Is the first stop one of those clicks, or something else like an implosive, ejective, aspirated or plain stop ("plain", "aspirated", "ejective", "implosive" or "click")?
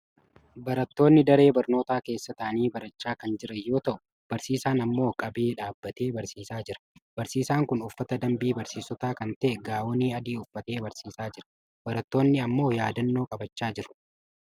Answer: plain